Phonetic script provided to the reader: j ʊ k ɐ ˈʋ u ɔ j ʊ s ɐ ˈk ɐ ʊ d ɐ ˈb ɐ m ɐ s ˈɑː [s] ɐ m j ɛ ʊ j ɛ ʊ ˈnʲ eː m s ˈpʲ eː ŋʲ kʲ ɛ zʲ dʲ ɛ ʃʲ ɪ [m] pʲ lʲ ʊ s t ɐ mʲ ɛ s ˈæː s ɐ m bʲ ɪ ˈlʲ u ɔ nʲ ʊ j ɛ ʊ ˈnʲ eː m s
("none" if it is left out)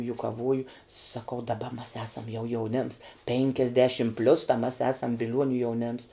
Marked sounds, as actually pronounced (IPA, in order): s, m

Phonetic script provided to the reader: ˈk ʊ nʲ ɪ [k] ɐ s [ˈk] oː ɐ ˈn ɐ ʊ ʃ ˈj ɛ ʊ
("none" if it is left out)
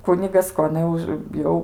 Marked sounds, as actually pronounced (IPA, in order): ɡ, k

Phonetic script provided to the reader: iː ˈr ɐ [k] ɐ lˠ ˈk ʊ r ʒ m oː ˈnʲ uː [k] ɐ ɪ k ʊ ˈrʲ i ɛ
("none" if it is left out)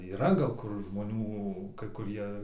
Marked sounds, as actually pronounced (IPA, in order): ɡ, k

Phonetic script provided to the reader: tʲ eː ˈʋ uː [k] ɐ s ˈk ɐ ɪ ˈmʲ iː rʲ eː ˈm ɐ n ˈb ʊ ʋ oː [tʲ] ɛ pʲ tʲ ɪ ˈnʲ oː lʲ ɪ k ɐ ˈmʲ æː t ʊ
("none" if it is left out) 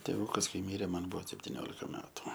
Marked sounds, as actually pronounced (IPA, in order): k, sʲ

